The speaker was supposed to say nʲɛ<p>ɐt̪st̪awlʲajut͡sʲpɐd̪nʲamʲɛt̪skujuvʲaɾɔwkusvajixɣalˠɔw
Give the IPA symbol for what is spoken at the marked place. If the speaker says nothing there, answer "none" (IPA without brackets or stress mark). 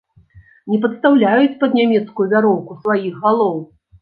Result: p